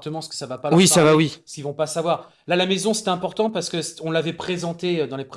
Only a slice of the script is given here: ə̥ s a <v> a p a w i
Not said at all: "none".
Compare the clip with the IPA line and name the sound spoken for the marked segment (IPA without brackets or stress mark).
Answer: v